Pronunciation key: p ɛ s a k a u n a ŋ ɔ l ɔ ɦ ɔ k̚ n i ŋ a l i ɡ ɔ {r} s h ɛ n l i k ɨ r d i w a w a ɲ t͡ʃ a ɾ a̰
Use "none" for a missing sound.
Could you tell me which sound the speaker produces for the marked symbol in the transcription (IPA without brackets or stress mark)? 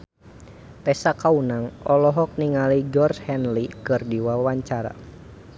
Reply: r